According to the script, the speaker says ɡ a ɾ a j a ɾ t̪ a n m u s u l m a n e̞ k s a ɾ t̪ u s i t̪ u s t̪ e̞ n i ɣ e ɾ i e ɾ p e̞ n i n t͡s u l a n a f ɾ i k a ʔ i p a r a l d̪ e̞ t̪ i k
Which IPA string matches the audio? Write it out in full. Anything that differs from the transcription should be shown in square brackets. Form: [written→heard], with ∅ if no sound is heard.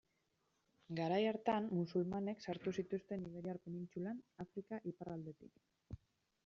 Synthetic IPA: ɡ a ɾ a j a ɾ t̪ a n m u s u l m a n e̞ k s a ɾ t̪ u s i t̪ u s t̪ e̞ n i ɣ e ɾ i [e→a] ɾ p e̞ n i n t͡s u l a n a f ɾ i k a ʔ i p a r a l d̪ e̞ t̪ i k

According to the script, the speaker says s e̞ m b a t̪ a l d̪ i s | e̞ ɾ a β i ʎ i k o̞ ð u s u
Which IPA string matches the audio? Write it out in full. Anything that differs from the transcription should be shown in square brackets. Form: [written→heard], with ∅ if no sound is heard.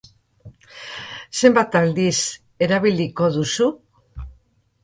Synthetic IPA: s e̞ m b a t̪ a l d̪ i s | e̞ ɾ a β i [ʎ→l] i k o̞ ð u s u

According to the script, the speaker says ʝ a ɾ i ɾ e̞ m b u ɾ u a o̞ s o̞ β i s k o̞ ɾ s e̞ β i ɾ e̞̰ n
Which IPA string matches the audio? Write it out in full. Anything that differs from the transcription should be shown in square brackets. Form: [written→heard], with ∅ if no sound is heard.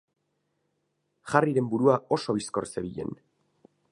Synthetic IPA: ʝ a [ɾ→r] i ɾ e̞ m b u ɾ u a o̞ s o̞ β i s k o̞ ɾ s e̞ β i [ɾ→ʎ] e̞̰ n

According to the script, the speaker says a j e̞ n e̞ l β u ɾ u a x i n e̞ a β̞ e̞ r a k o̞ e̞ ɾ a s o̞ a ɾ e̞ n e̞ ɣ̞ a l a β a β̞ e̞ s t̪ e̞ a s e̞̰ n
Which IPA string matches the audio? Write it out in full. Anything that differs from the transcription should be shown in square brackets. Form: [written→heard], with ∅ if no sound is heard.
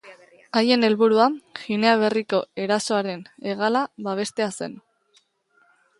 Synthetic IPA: a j e̞ n e̞ l β u ɾ u a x i n e̞ a β̞ e̞ r [a→i] k o̞ e̞ ɾ a s o̞ a ɾ e̞ n e̞ ɣ̞ a l a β a β̞ e̞ s t̪ e̞ a s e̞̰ n

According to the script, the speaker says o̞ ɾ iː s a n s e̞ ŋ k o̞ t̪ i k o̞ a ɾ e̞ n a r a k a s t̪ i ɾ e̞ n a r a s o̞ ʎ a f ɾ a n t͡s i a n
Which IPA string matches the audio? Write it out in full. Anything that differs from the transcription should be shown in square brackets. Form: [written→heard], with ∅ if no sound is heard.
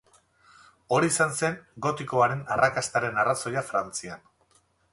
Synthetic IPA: o̞ ɾ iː s a n s e̞ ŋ [k→ɡ] o̞ t̪ i k o̞ a ɾ e̞ n a r a k a s t̪ [i→a] ɾ e̞ n a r a s o̞ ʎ a f ɾ a n t͡s i a n

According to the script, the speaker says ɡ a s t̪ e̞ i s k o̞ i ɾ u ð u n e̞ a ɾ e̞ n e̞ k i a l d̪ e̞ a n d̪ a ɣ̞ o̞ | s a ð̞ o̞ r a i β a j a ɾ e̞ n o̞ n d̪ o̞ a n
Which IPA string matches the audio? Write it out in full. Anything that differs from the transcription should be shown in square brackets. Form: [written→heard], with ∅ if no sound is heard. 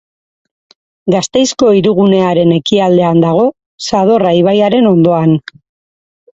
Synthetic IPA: ɡ a s t̪ e̞ [i→j] s k o̞ i ɾ u [ð→ɣ] u n e̞ a ɾ e̞ n e̞ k i a l d̪ e̞ a n d̪ a ɣ̞ o̞ | s a ð̞ o̞ r a i β a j a ɾ e̞ n o̞ n d̪ o̞ a n

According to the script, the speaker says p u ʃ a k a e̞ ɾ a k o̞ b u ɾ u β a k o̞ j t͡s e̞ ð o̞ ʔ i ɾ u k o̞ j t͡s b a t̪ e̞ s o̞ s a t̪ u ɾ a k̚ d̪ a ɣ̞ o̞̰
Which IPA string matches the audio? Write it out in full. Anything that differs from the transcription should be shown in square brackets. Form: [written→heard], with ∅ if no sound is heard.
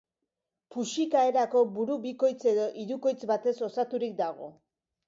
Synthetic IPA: p u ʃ [a→i] k a e̞ ɾ a k o̞ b u ɾ u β [a→i] k o̞ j t͡s e̞ ð o̞ ʔ i ɾ u k o̞ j t͡s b a t̪ e̞ s o̞ s a t̪ u ɾ [a→i] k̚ d̪ a ɣ̞ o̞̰

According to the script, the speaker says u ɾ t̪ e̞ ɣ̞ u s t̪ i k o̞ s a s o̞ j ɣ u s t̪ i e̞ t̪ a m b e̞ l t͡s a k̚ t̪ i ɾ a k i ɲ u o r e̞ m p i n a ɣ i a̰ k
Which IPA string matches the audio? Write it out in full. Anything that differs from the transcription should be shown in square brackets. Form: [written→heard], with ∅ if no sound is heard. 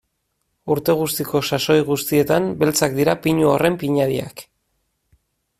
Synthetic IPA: u ɾ t̪ e̞ ɣ̞ u s t̪ i k o̞ s a s o̞ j ɣ u s t̪ i e̞ t̪ a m b e̞ l t͡s a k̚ [t̪→d̪] i ɾ a [k→p] i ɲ u o r e̞ m p i [n→ɲ] a [ɣ→ð] i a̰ k

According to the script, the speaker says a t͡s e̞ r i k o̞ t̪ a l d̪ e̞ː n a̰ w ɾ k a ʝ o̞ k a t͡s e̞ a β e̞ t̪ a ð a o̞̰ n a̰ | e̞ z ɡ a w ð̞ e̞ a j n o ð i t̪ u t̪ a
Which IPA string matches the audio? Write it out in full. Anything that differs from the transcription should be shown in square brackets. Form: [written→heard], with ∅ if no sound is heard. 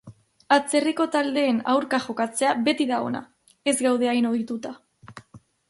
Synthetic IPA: a t͡s e̞ r i k o̞ t̪ a l d̪ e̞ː n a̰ w ɾ k a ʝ o̞ k a t͡s e̞ a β e̞ t̪ [a→i] ð a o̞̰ n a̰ | e̞ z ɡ a w ð̞ e̞ a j n o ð i t̪ u t̪ a

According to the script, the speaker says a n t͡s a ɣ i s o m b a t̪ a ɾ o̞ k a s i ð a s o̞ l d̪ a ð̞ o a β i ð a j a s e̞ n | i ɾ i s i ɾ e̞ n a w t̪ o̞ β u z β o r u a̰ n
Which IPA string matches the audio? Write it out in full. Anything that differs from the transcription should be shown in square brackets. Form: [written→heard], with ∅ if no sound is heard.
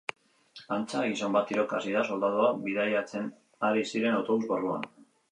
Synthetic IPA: a n t͡s a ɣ i s o m b a t̪ [a→i] ɾ o̞ k a s i ð a s o̞ l d̪ a ð̞ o a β i ð a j a [s→t͡s] e̞ n | [i→a] ɾ i s i ɾ e̞ n a w t̪ o̞ β u z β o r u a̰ n

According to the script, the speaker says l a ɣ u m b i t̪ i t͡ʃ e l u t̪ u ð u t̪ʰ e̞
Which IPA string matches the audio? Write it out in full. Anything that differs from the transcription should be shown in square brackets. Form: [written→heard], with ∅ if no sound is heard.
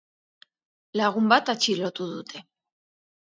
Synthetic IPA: l a ɣ u m b [i→a] t̪ [i→a] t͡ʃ [e→i] l [u→o] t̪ u ð u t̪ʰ e̞

